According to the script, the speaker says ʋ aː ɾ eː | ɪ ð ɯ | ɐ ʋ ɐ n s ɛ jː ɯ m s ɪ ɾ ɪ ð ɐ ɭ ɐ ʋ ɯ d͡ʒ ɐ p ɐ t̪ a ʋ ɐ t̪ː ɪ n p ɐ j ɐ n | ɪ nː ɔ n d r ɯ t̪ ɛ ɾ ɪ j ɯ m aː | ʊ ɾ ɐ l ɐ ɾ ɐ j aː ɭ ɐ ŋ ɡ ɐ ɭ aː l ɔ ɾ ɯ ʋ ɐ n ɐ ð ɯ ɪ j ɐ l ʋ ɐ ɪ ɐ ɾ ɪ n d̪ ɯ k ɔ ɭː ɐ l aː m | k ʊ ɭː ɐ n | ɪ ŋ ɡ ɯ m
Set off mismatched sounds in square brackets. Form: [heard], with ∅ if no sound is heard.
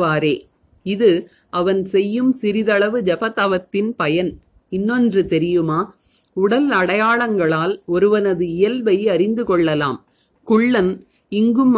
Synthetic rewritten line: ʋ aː ɾ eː | ɪ ð ɯ | ɐ ʋ ɐ n s ɛ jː ɯ m s ɪ ɾ ɪ ð ɐ ɭ ɐ ʋ ɯ d͡ʒ ɐ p ɐ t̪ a ʋ ɐ t̪ː ɪ n p ɐ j ɐ n | ɪ nː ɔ n d r ɯ t̪ ɛ ɾ ɪ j ɯ m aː | ʊ [ɽ] ɐ l ɐ [ɽ] ɐ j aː ɭ ɐ ŋ ɡ ɐ ɭ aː l ɔ ɾ ɯ ʋ ɐ n ɐ ð ɯ ɪ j ɐ l ʋ ɐ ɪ ɐ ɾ ɪ n d̪ ɯ k ɔ ɭː ɐ l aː m | k ʊ ɭː ɐ n | ɪ ŋ ɡ ɯ m